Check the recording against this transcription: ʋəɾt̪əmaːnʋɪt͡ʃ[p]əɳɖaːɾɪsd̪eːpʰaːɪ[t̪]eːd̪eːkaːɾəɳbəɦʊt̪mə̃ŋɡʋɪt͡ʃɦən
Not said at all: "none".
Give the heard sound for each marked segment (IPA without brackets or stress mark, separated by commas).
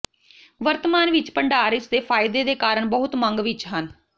p, d̪